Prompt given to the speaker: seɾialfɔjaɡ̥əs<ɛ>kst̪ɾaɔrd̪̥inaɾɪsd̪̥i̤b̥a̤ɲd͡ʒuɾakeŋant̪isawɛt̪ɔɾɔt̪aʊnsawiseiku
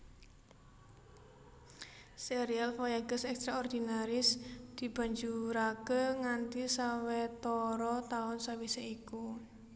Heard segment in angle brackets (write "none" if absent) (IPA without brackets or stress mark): ɛ